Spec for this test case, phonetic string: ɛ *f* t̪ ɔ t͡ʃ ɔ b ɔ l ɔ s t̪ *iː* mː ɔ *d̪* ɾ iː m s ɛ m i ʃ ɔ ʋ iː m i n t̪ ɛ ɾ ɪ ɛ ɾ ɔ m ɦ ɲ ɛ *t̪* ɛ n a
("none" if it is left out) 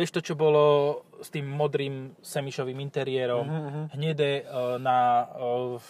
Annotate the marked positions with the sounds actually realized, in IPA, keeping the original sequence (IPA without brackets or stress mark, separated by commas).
ʃ, iː, d̪, d̪